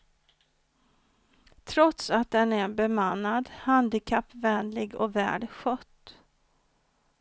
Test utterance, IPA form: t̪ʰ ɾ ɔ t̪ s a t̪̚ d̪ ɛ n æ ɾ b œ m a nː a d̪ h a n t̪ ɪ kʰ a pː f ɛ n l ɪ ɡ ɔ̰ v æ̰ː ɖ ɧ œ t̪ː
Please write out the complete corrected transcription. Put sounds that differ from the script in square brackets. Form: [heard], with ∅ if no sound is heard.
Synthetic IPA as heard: t̪ʰ ɾ ɔ t̪ s a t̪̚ d̪ ɛ n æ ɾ b [ɛ] m a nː a d̪ h a n [d̪] ɪ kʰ a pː [v] ɛ n l ɪ ɡ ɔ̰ v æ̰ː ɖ ɧ œ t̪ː